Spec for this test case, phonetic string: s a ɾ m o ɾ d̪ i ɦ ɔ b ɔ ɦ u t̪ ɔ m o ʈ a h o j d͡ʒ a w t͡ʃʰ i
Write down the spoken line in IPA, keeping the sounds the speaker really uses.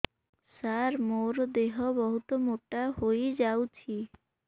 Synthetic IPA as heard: s a ɾ m o ɾ d̪ e ɦ ɔ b ɔ ɦ u t̪ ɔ m o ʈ a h o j d͡ʒ a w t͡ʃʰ i